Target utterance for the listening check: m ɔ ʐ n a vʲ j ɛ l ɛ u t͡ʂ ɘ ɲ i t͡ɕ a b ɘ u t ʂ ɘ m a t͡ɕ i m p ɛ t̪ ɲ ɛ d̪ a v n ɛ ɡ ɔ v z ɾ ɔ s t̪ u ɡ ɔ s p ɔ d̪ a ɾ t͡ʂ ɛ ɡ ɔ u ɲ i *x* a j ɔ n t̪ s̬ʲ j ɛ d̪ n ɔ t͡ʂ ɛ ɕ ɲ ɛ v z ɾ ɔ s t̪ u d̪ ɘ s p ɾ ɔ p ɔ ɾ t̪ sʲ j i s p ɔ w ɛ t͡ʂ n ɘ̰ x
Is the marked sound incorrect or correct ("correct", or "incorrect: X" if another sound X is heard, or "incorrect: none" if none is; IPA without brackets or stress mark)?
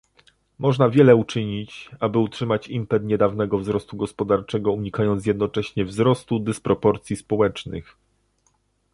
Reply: incorrect: k